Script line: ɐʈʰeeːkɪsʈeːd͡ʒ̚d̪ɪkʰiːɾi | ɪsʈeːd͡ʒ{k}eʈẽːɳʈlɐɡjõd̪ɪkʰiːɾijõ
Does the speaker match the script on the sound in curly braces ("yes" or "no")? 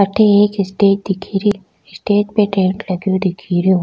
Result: no